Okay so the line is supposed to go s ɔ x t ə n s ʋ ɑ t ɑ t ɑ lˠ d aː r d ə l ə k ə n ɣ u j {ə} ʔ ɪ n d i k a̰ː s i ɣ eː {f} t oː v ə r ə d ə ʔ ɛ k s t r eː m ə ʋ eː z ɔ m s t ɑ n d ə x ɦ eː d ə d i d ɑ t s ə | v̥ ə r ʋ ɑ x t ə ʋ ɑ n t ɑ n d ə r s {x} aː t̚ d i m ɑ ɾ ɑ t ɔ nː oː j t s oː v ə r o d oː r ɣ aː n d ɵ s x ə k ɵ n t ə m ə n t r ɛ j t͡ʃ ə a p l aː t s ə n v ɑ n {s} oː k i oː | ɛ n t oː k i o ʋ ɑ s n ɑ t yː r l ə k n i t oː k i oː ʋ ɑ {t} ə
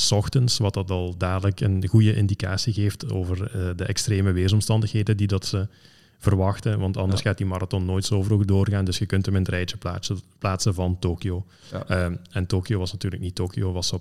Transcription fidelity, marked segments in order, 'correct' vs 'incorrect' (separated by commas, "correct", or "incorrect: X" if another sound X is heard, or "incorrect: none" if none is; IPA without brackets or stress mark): correct, correct, correct, incorrect: t, incorrect: s